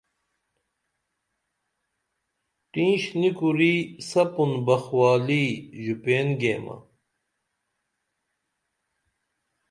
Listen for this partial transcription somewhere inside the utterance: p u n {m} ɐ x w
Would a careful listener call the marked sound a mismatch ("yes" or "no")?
yes